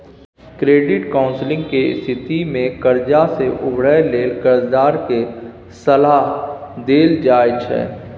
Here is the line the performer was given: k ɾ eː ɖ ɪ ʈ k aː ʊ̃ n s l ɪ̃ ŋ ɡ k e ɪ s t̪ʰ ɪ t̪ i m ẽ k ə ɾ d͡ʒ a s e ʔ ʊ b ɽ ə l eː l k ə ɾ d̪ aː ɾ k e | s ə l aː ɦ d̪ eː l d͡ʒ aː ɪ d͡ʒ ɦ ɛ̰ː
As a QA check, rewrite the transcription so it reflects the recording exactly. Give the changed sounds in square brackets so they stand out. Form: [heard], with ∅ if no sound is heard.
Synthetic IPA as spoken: k ɾ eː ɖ ɪ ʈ k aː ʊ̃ n s l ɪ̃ ŋ ɡ k e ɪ s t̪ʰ ɪ t̪ i m ẽ k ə ɾ d͡ʒ a s e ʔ ʊ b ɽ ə l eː l k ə ɾ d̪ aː ɾ k e | s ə l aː ɦ d̪ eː l d͡ʒ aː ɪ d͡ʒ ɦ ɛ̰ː